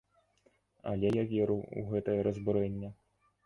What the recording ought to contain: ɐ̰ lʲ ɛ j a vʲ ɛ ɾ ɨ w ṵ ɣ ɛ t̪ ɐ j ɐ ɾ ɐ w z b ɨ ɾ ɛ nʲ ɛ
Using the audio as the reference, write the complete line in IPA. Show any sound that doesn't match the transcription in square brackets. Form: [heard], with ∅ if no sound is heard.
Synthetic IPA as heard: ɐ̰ lʲ ɛ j a vʲ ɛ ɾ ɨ w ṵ ɣ ɛ t̪ ɐ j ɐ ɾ ɐ [∅] z b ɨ ɾ ɛ [nʲː] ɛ